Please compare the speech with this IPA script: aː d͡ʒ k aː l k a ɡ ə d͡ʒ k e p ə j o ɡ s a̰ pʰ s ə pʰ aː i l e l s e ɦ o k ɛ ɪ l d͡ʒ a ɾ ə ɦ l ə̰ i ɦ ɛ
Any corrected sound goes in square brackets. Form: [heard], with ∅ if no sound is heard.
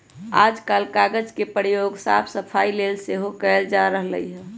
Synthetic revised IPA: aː d͡ʒ k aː l k a ɡ ə d͡ʒ k e p ə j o ɡ s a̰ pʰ s ə pʰ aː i l e l s e ɦ o k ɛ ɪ l d͡ʒ a ɾ ə ɦ l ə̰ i ɦ ɛ